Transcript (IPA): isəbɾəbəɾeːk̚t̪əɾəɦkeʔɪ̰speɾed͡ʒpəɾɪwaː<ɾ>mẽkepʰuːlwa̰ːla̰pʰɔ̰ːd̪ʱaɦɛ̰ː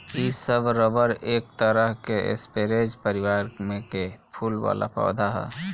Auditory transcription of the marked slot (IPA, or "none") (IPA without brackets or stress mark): ɾ